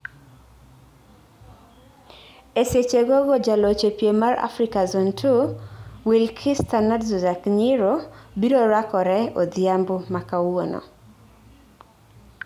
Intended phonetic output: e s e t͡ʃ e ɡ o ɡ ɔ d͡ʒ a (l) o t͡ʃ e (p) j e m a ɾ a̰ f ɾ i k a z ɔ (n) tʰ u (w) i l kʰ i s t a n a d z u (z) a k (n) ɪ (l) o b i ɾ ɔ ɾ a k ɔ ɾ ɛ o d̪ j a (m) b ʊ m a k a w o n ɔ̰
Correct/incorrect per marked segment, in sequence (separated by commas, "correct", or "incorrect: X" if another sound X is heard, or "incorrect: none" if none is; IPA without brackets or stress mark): correct, correct, correct, correct, correct, incorrect: ɲ, incorrect: ɾ, correct